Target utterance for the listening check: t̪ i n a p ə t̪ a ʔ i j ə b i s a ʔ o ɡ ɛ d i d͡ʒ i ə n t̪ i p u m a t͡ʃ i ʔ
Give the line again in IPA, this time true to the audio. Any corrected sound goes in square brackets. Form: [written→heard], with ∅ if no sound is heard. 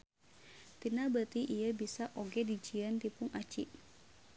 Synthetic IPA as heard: t̪ i n a [p→b] ə t̪ [a→i] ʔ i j ə b i s a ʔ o ɡ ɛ d i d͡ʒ i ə n t̪ i p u [m→ŋ] a t͡ʃ i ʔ